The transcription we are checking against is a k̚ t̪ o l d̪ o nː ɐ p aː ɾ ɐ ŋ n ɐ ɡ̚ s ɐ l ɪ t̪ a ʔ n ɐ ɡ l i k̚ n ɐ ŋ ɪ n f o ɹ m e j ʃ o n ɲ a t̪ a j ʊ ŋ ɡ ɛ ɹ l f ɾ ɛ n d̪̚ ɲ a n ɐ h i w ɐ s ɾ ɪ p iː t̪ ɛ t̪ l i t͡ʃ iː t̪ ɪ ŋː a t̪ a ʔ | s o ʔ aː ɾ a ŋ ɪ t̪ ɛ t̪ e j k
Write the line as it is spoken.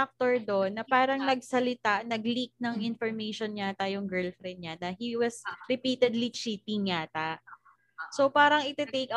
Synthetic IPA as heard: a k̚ t̪ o ɹ d̪ o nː ɐ p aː ɾ ɐ ŋ n ɐ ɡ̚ s ɐ l ɪ t̪ a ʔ n ɐ ɡ l i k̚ n ɐ ŋ ɪ n f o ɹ m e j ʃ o n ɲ a t̪ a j ʊ ŋ ɡ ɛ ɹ l f ɾ ɛ n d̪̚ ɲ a n ɐ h i w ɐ s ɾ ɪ p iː t̪ ɛ d̪ l i t͡ʃ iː t̪ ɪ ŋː a t̪ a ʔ | s o p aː ɾ ɐ ŋ ɪ t̪ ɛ t̪ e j k